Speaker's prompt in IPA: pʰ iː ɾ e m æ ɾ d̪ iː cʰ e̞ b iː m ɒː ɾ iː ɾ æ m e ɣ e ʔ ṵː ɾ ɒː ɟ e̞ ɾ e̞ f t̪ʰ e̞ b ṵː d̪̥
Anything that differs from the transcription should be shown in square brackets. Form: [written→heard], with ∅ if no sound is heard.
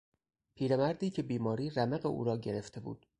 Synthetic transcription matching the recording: pʰ iː ɾ e m æ ɾ d̪ iː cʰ e̞ b iː m ɒː ɾ iː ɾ æ m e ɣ e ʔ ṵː ɾ ɒː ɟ e̞ ɾ e̞ f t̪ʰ e̞ b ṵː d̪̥

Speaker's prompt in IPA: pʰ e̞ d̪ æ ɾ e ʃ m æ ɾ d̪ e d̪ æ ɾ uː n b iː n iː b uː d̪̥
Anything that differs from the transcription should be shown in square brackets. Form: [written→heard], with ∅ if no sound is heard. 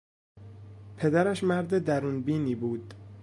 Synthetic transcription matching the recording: pʰ e̞ d̪ æ ɾ [e→æ] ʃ m æ ɾ d̪ e d̪ æ ɾ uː n b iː n iː b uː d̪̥

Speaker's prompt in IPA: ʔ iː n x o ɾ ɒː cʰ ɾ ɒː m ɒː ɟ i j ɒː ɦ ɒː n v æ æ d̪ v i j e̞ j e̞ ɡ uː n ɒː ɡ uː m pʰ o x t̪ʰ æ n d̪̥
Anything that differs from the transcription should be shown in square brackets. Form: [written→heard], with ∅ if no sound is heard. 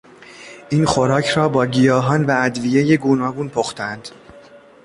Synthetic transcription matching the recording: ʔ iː n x o ɾ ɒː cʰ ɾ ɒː [m→b] ɒː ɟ i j ɒː ɦ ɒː n v æ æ d̪ v i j e̞ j e̞ ɡ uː n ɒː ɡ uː [m→n] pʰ o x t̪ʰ æ n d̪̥

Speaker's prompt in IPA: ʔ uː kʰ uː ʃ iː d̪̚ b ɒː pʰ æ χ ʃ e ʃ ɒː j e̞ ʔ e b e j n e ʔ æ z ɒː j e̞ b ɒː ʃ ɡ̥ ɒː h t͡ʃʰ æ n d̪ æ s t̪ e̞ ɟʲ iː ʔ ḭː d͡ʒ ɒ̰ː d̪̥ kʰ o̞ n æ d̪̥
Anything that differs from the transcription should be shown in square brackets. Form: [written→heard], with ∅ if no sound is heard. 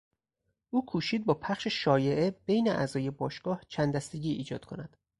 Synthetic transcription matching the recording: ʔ uː kʰ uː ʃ iː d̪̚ b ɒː pʰ æ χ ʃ e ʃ ɒː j e̞ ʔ e b e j n e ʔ æ z ɒː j e̞ b ɒː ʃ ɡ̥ ɒː h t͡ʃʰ æ n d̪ æ s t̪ e̞ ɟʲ iː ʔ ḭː d͡ʒ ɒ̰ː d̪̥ kʰ o̞ n æ d̪̥

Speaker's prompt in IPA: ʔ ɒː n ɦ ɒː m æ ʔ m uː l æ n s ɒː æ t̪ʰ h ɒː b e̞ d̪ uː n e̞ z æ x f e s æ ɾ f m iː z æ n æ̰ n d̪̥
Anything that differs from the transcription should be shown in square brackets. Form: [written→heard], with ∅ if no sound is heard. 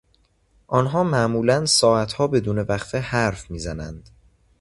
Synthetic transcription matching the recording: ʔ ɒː n ɦ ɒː m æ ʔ m uː l æ n s ɒː æ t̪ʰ h ɒː b e̞ d̪ uː n e̞ [z→v] æ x f e [s→h] æ ɾ f m iː z æ n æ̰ n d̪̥

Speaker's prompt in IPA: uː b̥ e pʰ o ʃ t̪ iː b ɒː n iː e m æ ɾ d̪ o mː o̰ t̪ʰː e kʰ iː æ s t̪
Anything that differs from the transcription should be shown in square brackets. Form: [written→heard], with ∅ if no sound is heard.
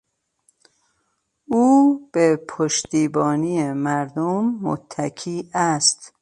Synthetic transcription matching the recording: uː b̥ e pʰ o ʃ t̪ iː b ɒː n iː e m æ ɾ d̪ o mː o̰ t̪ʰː [e→æ] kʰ iː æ s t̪

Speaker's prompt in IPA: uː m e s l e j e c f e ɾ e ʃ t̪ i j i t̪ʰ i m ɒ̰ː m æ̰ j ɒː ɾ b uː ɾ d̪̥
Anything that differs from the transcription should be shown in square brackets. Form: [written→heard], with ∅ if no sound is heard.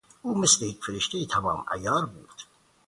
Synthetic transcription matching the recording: uː m e s l e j e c f e ɾ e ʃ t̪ [i→e] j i t̪ʰ [i→æ] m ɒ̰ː m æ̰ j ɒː ɾ b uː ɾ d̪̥

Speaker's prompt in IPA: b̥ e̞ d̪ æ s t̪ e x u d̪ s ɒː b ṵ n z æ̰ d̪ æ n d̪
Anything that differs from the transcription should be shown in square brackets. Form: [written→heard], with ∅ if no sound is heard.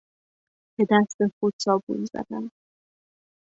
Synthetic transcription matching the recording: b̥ e̞ d̪ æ s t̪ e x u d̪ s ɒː b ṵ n z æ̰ d̪ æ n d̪

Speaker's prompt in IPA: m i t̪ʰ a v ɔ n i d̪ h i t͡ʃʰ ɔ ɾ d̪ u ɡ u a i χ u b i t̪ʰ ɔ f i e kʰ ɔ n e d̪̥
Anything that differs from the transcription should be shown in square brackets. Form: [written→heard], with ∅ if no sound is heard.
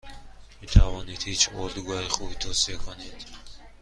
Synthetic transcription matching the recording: m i t̪ʰ a v ɔ n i d̪ h i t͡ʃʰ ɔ ɾ d̪ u ɡ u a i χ u b i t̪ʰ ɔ [f→s] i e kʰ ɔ n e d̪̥

